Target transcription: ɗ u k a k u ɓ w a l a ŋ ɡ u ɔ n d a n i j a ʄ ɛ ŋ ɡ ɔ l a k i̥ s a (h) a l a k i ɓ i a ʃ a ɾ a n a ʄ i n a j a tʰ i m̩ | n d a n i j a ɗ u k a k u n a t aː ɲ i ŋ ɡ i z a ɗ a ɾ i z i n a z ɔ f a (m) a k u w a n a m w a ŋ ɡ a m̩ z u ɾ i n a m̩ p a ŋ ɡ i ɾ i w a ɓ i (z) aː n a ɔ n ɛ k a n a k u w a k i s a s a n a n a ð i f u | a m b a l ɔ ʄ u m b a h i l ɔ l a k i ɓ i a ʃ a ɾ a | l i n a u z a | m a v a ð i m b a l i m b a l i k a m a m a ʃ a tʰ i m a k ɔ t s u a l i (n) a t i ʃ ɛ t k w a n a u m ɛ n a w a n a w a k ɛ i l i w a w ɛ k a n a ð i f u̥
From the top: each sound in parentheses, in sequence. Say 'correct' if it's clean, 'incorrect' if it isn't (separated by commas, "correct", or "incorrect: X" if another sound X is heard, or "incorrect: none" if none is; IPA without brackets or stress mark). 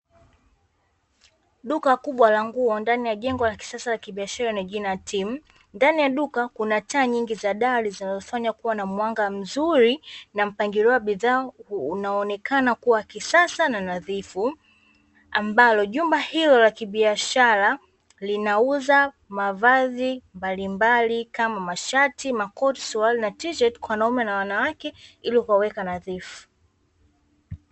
incorrect: s, incorrect: ɲ, incorrect: ð, correct